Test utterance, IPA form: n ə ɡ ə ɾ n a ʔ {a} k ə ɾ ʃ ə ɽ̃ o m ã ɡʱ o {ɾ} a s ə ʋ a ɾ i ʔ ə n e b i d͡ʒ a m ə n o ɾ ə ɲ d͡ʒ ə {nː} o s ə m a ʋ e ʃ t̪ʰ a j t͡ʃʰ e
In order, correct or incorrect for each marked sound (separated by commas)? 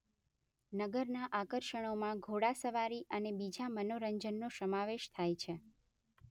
correct, incorrect, correct